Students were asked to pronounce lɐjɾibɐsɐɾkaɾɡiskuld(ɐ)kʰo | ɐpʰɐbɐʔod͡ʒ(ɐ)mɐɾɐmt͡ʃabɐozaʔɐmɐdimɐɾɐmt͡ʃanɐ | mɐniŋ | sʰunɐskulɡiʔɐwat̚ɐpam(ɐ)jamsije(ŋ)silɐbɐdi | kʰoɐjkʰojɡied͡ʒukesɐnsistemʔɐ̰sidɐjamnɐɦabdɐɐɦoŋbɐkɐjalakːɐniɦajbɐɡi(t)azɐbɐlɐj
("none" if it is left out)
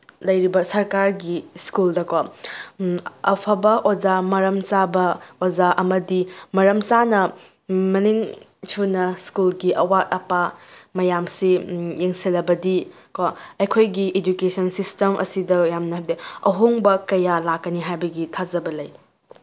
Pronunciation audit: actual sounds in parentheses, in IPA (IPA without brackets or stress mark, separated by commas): ɐ, a, ɐ, ŋ, tʰ